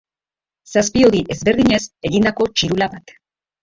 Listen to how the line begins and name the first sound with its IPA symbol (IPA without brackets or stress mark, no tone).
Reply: s